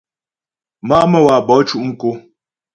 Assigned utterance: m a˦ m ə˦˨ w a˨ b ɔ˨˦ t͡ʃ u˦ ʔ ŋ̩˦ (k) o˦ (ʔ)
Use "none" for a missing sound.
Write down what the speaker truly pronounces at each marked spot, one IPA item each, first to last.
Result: k, none

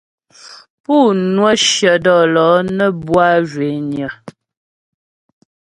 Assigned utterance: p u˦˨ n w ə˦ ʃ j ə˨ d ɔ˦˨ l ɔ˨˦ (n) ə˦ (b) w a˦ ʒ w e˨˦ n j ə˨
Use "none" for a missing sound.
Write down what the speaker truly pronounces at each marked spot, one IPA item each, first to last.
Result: n, b

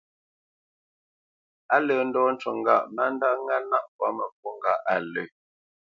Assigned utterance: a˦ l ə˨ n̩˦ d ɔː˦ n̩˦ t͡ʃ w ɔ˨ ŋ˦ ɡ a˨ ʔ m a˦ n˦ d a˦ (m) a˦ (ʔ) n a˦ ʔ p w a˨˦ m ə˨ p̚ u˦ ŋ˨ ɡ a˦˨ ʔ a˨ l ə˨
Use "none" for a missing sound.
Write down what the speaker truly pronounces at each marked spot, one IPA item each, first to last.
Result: ŋ, none

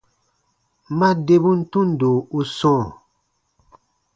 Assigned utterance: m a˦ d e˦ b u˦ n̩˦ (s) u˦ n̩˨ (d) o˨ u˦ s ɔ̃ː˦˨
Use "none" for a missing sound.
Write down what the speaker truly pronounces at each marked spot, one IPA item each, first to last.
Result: t, d

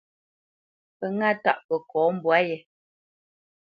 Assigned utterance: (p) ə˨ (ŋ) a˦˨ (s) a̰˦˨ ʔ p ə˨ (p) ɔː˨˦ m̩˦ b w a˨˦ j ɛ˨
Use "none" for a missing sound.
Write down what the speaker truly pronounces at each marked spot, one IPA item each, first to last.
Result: p, ŋ, t, k

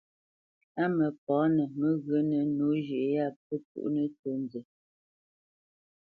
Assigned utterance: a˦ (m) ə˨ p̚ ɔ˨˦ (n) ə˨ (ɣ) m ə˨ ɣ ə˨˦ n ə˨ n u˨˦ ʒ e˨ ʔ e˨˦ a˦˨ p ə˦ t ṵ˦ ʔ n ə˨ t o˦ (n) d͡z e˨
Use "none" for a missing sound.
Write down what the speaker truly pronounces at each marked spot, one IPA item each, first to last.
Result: m, n, none, n

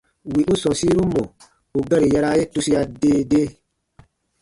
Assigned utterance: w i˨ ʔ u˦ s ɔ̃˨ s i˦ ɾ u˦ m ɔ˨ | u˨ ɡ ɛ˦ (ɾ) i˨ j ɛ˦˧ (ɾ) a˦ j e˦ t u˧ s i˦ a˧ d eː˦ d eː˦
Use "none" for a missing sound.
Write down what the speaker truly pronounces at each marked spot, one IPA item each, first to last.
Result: ɾ, ɾ

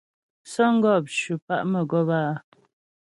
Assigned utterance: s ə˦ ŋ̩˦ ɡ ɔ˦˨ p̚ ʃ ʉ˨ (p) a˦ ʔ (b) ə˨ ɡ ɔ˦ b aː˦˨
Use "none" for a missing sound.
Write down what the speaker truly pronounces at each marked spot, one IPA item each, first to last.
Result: p, m

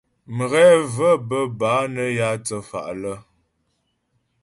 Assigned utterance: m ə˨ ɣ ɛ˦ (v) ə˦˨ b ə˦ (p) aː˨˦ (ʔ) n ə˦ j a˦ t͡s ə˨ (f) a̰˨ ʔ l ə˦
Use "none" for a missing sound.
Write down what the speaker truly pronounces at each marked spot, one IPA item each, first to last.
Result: v, b, none, f

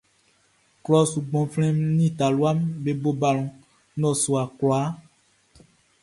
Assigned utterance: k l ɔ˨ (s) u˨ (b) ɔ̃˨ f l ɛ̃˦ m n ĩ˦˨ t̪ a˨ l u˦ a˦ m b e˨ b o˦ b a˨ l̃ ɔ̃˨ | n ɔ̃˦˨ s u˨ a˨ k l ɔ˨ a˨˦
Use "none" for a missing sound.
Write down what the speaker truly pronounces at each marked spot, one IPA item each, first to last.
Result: s, ɡ͡b

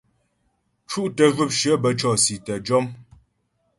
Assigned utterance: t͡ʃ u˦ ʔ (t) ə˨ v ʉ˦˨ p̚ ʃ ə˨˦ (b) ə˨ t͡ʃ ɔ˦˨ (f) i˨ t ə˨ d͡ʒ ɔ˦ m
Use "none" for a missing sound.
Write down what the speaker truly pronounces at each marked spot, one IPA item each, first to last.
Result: t, b, s

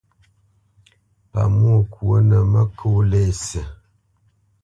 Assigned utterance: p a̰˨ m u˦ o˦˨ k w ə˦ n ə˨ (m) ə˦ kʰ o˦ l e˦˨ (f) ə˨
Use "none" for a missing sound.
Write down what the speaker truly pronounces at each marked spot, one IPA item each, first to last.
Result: m, s

